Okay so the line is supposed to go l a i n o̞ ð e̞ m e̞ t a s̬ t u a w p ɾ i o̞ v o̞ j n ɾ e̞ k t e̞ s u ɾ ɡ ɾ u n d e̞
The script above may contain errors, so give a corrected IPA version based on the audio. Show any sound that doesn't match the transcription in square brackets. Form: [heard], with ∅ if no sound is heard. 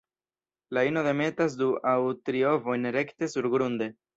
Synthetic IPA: l a i n o̞ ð e̞ m e̞ t a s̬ [d] u a w [t] ɾ i o̞ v o̞ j n ɾ e̞ k t e̞ s u ɾ ɡ ɾ u n d e̞